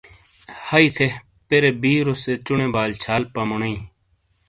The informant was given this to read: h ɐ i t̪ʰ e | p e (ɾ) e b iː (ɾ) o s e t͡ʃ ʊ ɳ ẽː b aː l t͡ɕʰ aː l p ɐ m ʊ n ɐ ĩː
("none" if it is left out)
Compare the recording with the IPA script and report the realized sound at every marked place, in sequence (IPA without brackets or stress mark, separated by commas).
ɾ, ɾ